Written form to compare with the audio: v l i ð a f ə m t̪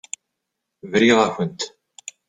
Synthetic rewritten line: v ɾ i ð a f ə n t̪